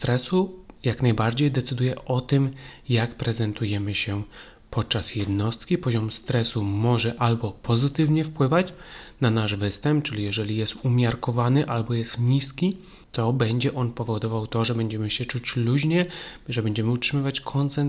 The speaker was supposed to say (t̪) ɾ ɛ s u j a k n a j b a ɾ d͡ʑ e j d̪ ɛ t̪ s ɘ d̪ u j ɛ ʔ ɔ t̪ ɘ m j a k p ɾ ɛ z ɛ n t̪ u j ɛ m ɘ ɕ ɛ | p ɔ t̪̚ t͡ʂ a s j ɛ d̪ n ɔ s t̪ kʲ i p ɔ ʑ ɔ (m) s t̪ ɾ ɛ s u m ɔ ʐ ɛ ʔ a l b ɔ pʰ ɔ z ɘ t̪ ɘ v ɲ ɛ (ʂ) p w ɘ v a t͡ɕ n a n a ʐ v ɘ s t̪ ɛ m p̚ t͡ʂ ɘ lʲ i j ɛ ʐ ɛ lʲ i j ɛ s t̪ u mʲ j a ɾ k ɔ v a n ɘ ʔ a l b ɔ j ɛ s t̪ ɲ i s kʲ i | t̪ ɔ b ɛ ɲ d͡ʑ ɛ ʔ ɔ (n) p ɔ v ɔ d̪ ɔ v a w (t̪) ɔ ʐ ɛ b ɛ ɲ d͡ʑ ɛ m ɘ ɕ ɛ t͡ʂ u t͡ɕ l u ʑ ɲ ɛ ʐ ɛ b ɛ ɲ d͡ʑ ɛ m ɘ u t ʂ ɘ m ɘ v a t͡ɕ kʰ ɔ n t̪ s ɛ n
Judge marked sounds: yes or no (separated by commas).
yes, yes, no, yes, yes